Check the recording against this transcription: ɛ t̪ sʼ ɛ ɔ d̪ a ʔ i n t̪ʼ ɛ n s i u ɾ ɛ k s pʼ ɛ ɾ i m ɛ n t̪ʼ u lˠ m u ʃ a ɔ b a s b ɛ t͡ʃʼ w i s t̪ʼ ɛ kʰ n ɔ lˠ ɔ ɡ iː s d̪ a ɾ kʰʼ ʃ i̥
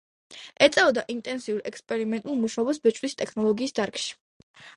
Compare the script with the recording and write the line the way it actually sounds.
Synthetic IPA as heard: ɛ t̪ sʼ ɛ ɔ d̪ a ʔ i n t̪ʼ ɛ n s i u ɾ ɛ k s pʼ ɛ ɾ i m ɛ n t̪ʼ u lˠ m u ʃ a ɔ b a s b ɛ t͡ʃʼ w i s t̪ʼ ɛ kʰ n ɔ lˠ ɔ ɡ iː s d̪ a ɾ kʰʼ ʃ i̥